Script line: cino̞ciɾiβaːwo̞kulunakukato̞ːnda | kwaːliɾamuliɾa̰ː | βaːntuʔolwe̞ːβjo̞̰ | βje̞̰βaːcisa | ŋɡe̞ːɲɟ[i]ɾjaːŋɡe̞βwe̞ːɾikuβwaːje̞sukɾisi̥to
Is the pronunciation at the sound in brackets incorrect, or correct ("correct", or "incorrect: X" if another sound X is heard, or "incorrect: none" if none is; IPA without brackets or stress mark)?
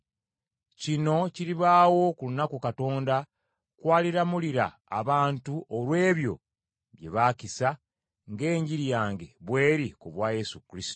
correct